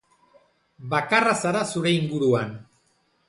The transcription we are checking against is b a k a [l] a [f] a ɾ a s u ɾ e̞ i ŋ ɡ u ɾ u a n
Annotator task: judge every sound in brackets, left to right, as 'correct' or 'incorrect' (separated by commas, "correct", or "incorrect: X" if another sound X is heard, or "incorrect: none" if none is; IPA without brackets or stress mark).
incorrect: r, incorrect: s